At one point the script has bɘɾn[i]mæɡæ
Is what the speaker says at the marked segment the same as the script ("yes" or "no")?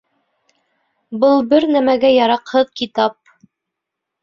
no